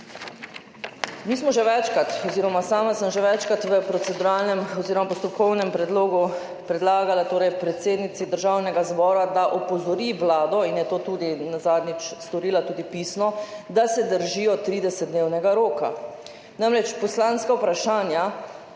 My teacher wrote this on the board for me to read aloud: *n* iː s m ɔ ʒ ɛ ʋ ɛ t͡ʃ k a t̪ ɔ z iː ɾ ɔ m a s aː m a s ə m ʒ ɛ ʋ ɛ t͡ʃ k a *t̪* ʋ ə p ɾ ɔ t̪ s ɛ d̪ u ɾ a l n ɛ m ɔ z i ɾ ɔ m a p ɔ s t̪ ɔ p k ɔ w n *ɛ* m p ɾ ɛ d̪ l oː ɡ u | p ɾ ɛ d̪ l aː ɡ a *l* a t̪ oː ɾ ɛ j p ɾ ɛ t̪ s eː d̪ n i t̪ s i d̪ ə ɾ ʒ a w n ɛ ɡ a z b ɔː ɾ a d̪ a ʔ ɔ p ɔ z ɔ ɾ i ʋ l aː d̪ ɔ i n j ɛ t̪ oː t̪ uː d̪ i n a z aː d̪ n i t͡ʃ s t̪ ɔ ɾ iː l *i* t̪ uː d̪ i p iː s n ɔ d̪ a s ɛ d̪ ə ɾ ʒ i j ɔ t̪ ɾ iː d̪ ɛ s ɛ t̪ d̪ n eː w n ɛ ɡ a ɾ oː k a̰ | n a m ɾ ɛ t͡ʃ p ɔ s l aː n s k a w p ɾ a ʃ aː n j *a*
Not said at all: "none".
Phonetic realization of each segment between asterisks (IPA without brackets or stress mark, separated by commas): m, t̪, ɛ, l, a, a